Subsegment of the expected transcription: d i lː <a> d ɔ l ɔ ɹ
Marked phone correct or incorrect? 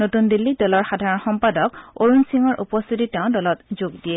incorrect